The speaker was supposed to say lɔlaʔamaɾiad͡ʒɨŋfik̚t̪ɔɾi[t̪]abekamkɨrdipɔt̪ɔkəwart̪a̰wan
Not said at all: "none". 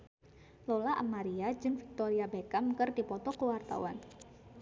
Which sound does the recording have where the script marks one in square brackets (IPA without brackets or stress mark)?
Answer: none